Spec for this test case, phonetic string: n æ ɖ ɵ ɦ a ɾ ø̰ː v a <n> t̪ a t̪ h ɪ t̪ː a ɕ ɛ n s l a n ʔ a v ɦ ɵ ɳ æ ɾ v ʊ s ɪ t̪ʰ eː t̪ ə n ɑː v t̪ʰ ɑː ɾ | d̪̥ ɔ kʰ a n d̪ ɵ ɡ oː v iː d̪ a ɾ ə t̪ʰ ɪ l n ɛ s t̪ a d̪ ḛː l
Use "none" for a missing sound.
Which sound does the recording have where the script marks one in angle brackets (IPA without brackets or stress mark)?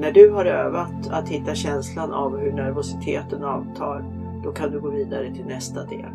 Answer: none